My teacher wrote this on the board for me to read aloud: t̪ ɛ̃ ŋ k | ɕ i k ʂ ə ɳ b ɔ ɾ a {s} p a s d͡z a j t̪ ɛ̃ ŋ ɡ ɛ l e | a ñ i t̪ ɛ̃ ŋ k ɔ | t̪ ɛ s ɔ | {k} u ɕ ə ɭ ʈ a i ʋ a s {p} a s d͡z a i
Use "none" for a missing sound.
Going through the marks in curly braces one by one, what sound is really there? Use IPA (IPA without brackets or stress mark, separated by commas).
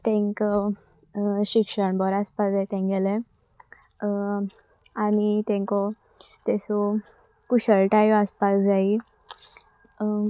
s, k, p